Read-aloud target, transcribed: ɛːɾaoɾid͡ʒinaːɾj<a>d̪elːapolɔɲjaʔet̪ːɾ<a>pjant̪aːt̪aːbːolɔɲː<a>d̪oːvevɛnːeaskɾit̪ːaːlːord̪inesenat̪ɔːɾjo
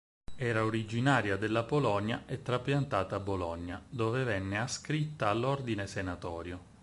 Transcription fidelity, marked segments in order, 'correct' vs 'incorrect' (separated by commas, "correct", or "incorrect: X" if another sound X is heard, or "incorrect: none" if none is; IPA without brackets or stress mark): correct, correct, correct